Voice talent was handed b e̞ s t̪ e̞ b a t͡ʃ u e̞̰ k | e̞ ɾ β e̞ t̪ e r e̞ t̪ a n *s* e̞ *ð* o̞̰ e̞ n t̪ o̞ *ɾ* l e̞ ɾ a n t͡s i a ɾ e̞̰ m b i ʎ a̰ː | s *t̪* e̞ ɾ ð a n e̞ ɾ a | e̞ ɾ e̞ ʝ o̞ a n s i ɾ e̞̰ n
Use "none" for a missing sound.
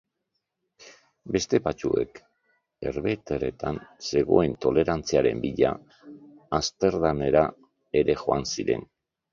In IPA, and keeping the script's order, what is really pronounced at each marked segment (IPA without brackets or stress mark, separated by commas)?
s, ɣ, none, t̪